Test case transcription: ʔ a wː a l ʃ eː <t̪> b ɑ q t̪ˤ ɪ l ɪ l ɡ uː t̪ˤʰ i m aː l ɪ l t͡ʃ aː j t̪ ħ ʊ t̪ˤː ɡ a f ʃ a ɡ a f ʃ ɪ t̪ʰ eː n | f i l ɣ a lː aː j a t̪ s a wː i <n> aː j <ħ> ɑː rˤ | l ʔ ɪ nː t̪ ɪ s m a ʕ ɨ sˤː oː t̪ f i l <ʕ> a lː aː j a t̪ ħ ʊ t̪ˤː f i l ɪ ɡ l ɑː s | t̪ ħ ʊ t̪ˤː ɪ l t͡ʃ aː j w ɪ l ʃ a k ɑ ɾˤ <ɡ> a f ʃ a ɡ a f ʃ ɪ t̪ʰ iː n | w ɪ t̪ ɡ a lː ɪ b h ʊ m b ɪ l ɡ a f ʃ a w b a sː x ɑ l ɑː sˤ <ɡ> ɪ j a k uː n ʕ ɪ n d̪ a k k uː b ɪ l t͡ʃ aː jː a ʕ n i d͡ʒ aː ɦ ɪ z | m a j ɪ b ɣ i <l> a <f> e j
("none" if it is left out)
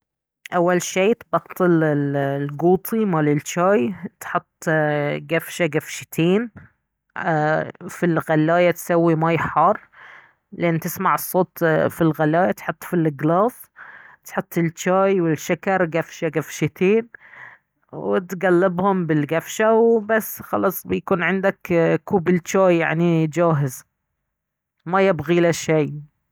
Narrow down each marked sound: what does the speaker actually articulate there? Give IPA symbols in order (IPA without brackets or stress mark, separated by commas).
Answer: t̪, m, ħ, ɣ, ɡ, b, l, ʃ